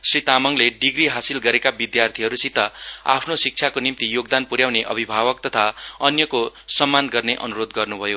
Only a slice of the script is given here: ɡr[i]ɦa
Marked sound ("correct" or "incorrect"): correct